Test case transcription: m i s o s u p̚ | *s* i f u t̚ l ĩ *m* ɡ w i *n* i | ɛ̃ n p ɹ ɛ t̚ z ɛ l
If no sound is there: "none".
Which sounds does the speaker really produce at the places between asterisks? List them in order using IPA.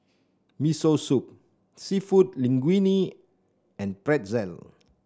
s, ŋ, n

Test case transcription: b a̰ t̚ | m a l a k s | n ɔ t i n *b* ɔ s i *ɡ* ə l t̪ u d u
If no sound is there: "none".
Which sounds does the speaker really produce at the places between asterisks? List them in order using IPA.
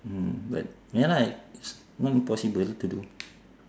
p, b

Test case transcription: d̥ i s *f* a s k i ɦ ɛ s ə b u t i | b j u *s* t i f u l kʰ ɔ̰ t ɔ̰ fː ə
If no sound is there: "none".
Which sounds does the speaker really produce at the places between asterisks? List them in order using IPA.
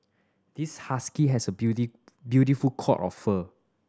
h, none

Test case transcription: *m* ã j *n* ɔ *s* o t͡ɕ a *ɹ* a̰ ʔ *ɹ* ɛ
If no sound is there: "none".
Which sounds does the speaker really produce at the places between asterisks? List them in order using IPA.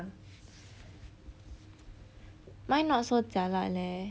m, n, s, l, l

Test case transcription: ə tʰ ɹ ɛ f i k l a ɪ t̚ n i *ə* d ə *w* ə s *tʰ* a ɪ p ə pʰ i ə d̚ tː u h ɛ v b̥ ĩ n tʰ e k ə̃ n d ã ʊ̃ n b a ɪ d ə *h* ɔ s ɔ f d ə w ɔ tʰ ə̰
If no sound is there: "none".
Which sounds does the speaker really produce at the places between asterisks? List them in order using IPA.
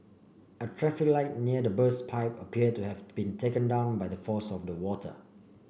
ə, b, pʰ, f

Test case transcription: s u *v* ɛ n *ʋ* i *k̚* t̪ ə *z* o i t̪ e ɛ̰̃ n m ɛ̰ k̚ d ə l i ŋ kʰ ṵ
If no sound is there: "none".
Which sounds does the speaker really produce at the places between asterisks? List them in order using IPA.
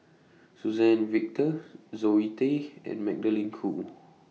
z, v, k̚, z

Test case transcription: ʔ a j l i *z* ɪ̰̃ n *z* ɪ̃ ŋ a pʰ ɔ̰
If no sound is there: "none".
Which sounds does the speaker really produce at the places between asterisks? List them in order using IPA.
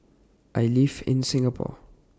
v, s

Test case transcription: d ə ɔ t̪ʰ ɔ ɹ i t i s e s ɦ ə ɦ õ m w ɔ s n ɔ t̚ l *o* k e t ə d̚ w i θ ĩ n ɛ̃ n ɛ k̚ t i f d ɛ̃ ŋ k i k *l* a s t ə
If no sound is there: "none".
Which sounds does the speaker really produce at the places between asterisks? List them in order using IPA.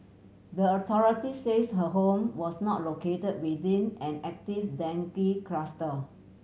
o, ɹ

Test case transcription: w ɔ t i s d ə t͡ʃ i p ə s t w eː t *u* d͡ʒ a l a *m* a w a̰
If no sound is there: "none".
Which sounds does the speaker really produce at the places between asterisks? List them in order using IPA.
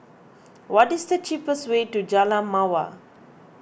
u, m

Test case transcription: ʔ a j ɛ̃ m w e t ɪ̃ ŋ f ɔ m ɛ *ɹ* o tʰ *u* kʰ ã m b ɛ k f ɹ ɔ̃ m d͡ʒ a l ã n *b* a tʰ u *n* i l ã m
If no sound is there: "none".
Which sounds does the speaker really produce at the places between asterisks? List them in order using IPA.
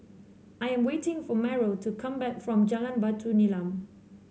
ɹ, u, b, n

